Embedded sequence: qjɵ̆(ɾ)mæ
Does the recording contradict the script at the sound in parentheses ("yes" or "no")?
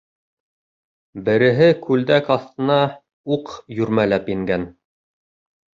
no